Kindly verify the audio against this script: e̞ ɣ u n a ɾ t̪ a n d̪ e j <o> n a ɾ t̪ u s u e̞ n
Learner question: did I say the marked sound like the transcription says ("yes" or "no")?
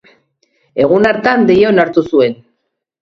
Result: yes